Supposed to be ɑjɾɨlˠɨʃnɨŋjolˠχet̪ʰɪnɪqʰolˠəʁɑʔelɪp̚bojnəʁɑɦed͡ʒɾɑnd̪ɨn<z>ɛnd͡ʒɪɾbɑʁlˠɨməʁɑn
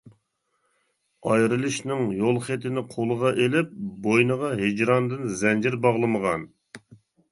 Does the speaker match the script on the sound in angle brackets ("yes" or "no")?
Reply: yes